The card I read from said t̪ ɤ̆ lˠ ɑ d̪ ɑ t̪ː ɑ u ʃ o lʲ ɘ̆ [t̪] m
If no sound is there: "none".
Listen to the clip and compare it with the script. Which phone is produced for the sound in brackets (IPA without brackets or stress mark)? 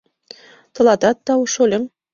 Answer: none